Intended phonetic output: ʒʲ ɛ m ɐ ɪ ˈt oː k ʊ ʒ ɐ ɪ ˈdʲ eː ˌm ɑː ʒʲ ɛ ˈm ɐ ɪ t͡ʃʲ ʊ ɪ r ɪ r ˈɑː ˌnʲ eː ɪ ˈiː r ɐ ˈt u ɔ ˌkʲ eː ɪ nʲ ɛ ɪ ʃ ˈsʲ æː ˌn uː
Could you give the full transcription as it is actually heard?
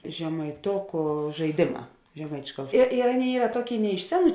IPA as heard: ʒʲ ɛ m ɐ ɪ ˈt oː k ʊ ʒ ɐ ɪ ˈdʲ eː ˌm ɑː ʒʲ ɛ ˈm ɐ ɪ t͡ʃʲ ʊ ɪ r ɪ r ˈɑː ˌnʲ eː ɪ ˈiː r ɐ ˈt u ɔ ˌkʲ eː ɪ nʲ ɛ ɪ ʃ ˈsʲ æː ˌn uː